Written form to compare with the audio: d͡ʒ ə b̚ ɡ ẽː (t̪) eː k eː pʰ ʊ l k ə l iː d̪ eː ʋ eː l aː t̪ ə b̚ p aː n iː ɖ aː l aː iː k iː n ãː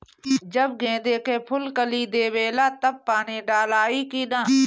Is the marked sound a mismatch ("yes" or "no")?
yes